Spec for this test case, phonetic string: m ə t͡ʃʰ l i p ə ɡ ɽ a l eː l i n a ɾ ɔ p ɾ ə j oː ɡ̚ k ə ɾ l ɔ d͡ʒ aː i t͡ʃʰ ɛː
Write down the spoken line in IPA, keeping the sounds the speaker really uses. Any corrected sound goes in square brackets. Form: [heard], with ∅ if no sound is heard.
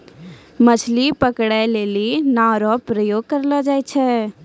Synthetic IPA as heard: m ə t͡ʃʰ l i p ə [k] ɽ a l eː l i n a ɾ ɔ p ɾ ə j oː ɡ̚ k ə ɾ l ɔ d͡ʒ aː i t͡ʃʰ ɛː